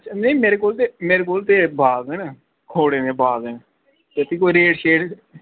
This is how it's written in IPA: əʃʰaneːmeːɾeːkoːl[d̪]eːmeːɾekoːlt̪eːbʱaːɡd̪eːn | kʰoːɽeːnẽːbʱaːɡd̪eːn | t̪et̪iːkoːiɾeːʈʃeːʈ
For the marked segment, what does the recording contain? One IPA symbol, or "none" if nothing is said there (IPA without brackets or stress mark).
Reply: t̪